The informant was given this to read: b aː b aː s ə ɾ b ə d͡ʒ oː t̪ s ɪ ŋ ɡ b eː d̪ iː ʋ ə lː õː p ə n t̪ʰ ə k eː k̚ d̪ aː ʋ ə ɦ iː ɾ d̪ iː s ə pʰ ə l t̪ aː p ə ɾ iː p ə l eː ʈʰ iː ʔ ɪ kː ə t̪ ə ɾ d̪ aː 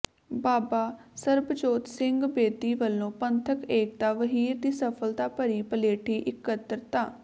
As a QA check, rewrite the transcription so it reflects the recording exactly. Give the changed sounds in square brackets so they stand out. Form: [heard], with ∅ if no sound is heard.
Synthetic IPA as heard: b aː b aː s ə ɾ b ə d͡ʒ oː t̪ s ɪ ŋ ɡ b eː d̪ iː ʋ ə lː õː p ə n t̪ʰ ə k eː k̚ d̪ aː ʋ ə ɦ iː ɾ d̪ iː s ə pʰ ə l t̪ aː p ə ɾ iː p ə l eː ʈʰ iː ʔ ɪ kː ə t̪ ə ɾ [t̪] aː